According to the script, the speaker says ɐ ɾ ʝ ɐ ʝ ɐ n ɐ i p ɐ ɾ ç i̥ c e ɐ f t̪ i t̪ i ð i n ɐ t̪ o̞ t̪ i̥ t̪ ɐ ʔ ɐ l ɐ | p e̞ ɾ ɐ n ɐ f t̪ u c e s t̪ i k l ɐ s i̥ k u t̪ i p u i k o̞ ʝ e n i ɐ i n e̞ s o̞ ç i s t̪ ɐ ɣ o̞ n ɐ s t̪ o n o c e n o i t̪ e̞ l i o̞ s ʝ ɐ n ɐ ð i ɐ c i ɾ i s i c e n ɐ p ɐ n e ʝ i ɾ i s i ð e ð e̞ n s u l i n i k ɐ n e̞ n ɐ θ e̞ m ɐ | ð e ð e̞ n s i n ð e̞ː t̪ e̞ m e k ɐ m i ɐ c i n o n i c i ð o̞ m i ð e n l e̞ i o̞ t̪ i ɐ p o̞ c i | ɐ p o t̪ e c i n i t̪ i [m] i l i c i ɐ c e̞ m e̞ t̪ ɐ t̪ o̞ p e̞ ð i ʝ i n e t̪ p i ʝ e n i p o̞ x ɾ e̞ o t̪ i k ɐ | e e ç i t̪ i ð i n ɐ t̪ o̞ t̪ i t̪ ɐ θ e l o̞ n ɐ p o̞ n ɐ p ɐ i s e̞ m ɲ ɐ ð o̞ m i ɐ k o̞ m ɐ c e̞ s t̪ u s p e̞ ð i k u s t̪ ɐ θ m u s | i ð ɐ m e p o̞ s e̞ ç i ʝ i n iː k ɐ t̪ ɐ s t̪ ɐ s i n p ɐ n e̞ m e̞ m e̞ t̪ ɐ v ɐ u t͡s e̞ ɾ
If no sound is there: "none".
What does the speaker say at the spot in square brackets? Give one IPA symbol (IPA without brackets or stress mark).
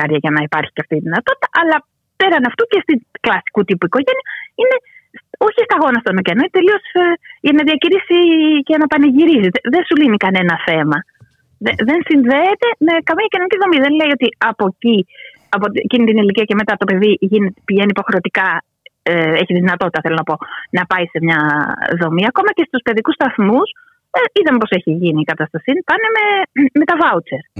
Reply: n